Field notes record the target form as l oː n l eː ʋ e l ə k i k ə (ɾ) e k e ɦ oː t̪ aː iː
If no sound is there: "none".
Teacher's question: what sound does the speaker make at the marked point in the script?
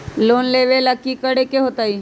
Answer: ɽ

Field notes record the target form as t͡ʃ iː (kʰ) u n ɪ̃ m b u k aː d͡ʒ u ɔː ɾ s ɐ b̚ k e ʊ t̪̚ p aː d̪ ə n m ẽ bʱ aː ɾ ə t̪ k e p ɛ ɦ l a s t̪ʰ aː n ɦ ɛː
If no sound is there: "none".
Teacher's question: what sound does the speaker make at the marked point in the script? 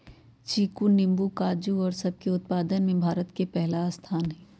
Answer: k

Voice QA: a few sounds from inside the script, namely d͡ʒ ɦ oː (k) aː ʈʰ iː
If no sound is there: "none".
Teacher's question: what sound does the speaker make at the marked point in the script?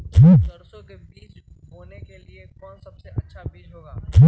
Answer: ɡ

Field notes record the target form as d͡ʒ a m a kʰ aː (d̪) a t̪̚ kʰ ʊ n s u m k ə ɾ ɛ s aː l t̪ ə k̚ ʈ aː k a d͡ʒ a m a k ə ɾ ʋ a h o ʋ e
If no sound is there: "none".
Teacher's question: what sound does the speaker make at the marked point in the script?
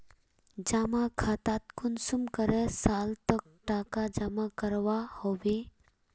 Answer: t̪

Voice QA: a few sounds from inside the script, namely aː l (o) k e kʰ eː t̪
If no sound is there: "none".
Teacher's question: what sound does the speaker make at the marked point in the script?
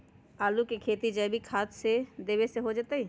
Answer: u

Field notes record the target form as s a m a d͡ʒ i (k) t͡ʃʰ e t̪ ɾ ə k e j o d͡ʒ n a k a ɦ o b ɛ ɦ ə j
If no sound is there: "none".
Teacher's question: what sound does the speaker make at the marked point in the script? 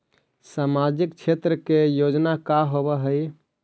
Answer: k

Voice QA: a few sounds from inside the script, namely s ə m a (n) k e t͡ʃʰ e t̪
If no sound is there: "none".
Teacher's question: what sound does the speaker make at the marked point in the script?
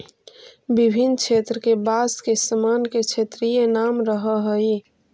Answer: n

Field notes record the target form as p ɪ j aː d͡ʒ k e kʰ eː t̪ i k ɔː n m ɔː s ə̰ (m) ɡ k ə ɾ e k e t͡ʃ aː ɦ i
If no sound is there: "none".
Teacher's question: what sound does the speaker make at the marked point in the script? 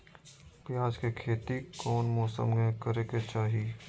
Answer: m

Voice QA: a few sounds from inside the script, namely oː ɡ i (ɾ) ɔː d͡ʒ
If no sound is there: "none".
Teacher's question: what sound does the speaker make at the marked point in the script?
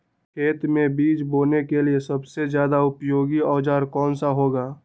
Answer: none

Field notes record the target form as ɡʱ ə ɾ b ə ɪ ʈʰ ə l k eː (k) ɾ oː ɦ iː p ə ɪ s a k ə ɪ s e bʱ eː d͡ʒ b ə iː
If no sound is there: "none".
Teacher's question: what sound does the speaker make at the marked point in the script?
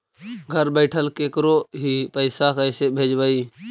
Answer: k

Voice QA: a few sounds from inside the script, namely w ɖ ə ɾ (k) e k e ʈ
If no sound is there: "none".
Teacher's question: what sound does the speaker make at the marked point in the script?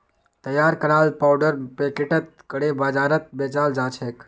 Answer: p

